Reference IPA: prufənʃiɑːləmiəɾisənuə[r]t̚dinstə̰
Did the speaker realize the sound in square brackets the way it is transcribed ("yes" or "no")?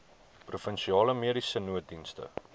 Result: no